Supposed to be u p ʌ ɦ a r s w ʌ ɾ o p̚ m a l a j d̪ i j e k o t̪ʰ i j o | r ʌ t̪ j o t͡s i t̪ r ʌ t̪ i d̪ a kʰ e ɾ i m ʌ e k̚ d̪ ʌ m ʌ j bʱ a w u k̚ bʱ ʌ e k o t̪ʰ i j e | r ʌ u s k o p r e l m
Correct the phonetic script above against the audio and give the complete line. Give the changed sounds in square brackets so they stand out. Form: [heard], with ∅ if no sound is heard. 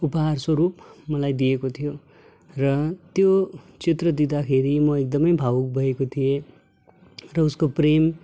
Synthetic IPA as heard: u p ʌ ɦ a r s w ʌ ɾ [u] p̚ m [ʌ] l a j d̪ i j e k o t̪ʰ i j o | r ʌ t̪ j o t͡s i t̪ r ʌ [d̪] i d̪ a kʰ e ɾ i m ʌ e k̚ d̪ ʌ m ʌ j bʱ a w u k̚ bʱ ʌ e k o t̪ʰ i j e | r ʌ u s k o p r e [∅] m